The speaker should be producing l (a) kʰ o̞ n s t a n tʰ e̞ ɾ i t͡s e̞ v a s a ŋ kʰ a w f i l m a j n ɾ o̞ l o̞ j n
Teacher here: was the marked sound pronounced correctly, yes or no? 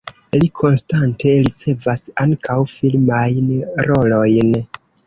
no